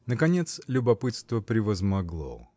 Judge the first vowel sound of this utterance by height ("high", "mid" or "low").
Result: mid